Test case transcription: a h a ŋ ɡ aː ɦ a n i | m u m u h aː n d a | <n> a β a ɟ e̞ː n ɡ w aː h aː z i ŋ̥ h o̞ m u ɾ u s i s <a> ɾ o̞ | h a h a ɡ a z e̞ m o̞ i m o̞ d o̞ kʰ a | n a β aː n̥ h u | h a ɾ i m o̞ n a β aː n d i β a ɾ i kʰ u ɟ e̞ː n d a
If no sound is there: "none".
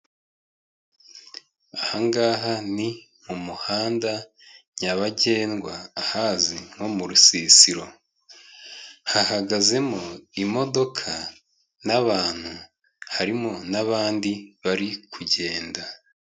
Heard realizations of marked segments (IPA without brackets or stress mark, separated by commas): ɲ, i